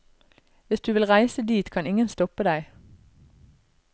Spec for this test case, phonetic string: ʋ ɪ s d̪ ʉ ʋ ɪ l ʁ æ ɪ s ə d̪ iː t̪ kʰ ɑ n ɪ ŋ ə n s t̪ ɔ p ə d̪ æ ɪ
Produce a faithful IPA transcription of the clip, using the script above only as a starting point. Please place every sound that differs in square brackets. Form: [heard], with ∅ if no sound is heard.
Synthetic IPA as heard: ʋ ɪ s d̪ [ʉː] ʋ ɪ l ʁ æ ɪ s ə d̪ iː t̪ kʰ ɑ n ɪ ŋ ə n s t̪ ɔ p ə d̪ æ ɪ